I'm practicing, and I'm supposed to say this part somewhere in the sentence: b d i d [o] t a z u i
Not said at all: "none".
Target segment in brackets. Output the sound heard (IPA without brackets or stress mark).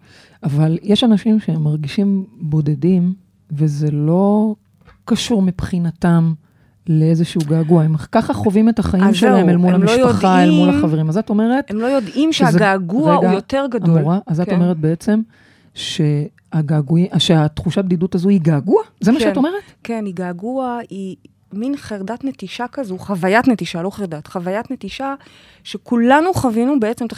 u